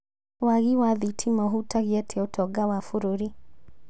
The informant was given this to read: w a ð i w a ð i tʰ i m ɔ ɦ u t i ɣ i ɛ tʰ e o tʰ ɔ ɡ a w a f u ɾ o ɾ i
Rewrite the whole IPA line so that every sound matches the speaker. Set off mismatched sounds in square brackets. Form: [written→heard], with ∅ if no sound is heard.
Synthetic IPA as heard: w a [ð→ɣ] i w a ð i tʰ i m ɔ ɦ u t [i→a] ɣ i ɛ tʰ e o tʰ ɔ ɡ a w a f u ɾ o ɾ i